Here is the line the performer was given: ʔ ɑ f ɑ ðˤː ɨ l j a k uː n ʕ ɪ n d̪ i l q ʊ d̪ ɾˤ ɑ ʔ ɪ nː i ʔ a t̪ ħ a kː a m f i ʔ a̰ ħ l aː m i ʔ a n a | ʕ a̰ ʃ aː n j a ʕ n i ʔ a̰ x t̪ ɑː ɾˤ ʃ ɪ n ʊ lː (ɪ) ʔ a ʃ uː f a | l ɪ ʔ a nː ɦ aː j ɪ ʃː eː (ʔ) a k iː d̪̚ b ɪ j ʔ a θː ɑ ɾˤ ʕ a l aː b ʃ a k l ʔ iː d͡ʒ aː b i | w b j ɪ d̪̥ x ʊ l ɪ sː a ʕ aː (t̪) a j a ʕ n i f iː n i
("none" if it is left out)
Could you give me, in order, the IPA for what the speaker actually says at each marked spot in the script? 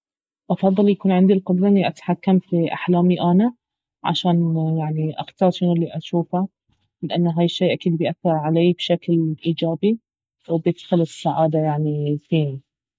i, ʔ, d̪

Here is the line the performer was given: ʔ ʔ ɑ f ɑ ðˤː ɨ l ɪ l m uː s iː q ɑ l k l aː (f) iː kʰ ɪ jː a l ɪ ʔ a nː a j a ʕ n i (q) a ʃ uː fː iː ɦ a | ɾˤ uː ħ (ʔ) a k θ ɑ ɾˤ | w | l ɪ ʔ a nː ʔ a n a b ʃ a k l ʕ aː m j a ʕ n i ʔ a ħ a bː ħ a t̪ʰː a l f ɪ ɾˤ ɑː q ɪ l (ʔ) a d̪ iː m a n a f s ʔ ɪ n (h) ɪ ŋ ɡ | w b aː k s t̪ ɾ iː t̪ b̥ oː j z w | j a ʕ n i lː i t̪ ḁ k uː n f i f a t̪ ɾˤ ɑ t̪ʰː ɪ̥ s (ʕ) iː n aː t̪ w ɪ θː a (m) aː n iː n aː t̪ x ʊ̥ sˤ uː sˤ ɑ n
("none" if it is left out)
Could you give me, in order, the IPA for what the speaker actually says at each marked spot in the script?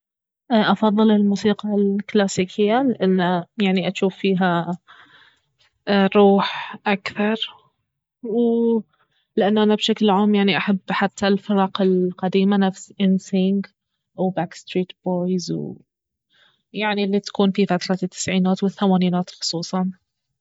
s, ʔ, ʔ, q, s, ʕ, m

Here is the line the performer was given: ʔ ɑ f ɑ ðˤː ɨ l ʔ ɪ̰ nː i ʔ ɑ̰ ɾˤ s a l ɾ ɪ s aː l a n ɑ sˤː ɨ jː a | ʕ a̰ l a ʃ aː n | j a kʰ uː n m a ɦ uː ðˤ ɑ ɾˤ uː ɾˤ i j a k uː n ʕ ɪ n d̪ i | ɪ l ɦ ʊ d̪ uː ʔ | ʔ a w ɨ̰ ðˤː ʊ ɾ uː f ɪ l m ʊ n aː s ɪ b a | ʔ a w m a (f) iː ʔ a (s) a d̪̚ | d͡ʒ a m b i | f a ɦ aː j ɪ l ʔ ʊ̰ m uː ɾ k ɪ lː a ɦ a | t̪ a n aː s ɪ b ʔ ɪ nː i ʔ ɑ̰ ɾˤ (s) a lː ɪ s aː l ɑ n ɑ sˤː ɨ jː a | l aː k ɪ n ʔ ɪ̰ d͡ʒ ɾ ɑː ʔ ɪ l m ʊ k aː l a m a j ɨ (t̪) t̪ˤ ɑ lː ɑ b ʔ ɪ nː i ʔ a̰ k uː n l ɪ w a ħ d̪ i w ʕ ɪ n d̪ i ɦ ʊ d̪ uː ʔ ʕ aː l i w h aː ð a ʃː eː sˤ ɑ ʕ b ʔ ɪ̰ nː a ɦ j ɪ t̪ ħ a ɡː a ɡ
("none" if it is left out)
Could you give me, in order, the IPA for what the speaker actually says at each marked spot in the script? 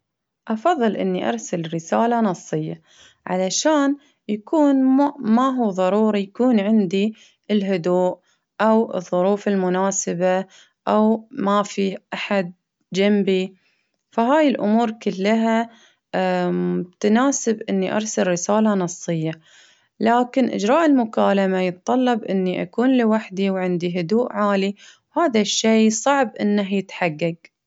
f, ħ, s, t̪

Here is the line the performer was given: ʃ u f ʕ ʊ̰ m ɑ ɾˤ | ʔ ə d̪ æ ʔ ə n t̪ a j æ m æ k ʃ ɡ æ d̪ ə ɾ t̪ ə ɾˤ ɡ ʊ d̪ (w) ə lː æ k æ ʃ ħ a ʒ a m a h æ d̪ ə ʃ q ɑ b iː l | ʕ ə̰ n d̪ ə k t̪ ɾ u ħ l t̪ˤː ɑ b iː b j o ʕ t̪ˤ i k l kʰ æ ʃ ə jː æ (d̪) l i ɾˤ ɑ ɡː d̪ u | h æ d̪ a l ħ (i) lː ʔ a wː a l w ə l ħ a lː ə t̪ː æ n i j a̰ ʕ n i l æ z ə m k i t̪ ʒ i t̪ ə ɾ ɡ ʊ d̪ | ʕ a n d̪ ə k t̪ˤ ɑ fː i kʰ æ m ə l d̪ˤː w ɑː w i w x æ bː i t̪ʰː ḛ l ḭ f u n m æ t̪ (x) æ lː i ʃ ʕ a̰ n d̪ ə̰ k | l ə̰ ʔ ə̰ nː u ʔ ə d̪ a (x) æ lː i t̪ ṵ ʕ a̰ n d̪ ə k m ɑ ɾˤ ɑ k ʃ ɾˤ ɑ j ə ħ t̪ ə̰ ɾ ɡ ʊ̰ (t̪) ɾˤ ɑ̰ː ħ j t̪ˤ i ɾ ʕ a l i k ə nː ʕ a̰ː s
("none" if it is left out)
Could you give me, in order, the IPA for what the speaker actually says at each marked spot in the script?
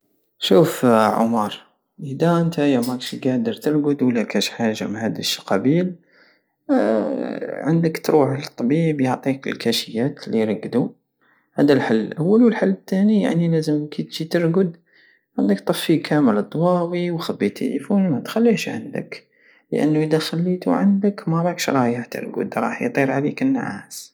w, t̪, a, x, x, d̪

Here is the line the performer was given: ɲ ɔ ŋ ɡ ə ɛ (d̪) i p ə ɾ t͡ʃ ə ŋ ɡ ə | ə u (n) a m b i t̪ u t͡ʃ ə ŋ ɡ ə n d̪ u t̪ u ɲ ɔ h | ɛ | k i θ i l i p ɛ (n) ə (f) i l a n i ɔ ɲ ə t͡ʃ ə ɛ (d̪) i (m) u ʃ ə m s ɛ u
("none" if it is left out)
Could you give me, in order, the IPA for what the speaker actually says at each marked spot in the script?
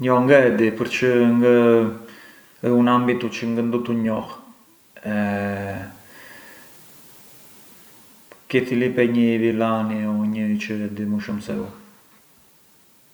d̪, n, ɲ, v, d̪, m

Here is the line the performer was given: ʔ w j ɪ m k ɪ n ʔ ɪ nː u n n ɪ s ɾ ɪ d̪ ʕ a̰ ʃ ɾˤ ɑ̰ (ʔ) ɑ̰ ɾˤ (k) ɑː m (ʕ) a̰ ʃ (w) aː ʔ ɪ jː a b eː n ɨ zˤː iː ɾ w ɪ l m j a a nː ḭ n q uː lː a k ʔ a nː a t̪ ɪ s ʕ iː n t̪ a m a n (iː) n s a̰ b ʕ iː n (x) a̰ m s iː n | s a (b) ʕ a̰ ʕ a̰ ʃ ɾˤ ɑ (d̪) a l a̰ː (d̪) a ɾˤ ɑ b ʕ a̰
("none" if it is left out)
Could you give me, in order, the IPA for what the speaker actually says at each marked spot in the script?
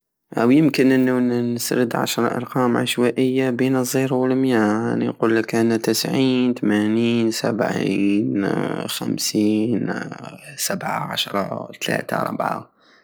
ʔ, q, ʕ, w, iː, x, b, t̪, t̪

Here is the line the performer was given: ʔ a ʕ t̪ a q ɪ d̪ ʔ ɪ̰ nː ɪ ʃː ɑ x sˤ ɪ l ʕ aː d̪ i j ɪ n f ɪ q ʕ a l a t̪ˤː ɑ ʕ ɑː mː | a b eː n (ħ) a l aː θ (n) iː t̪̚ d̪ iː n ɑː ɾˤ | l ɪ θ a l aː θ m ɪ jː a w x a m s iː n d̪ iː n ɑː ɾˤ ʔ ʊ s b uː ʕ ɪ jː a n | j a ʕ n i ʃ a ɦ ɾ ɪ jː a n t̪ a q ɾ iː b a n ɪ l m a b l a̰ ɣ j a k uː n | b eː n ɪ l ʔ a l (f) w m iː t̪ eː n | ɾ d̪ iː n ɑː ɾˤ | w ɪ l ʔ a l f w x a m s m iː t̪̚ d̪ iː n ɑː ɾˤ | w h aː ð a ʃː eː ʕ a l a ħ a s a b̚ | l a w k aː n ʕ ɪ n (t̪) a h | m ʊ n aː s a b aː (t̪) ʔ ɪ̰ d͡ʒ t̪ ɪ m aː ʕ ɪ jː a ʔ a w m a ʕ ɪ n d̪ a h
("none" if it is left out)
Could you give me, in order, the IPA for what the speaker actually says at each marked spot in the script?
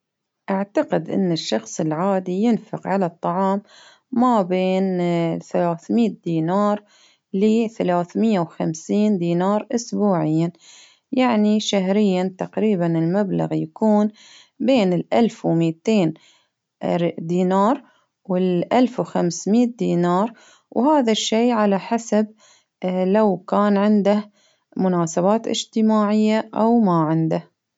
θ, m, f, d̪, t̪

